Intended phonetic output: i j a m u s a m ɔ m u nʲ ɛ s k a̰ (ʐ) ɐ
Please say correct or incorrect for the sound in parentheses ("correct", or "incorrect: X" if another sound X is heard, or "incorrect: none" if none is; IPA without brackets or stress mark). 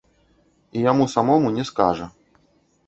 correct